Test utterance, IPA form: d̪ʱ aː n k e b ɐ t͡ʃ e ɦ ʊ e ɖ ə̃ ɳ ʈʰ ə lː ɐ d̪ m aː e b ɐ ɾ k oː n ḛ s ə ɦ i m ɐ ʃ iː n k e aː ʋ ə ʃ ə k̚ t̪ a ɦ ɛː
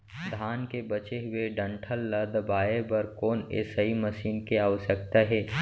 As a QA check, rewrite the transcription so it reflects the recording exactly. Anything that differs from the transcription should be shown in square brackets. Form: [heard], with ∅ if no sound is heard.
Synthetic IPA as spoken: d̪ʱ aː n k e b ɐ t͡ʃ e ɦ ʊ e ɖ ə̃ ɳ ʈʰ ə lː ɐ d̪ [b] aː e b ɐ ɾ k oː n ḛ s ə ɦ i m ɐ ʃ iː n k e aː ʋ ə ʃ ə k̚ t̪ a ɦ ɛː